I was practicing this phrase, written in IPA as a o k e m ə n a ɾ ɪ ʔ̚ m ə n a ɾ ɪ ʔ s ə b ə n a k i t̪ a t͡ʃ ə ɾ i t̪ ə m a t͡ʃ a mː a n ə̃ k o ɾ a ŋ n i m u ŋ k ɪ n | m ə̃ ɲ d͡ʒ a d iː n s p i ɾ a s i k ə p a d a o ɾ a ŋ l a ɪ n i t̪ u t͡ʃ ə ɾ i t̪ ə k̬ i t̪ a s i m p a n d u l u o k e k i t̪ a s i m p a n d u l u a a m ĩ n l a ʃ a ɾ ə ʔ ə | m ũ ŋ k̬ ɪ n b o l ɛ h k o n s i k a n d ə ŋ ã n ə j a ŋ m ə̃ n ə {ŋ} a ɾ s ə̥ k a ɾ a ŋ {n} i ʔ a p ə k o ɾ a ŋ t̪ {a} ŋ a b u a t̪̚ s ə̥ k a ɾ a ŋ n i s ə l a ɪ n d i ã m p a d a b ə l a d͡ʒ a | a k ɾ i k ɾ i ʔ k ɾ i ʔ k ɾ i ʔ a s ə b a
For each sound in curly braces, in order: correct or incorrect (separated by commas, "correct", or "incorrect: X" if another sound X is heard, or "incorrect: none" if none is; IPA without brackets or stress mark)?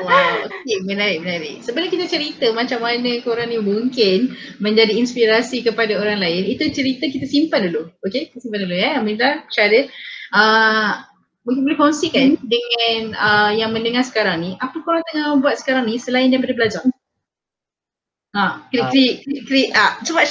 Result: correct, correct, incorrect: ə